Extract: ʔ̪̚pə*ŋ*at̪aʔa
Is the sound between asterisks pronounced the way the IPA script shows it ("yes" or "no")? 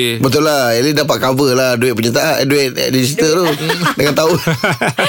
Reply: no